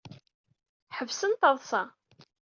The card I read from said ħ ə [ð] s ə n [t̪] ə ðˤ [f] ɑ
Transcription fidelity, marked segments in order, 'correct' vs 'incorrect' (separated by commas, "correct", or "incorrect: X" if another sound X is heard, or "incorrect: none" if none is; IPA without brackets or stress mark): incorrect: v, correct, incorrect: s